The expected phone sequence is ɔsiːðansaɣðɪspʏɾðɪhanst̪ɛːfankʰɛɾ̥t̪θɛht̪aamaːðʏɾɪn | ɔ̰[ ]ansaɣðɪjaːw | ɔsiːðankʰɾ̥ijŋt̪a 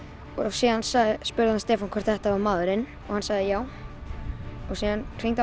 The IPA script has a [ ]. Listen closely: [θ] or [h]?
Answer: h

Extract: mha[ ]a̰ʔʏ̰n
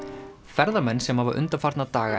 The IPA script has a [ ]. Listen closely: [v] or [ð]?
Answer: v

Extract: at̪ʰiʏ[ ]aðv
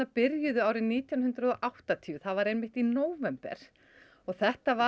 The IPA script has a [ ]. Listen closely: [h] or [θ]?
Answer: θ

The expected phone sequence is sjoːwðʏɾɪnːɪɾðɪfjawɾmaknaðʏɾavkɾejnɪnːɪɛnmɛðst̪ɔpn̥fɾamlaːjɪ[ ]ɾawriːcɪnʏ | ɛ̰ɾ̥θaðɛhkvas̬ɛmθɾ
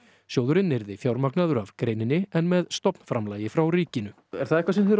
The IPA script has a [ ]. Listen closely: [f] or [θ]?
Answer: f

